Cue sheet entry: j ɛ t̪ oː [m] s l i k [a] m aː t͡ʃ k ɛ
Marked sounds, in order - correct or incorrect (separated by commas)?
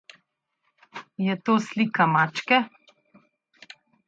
incorrect, correct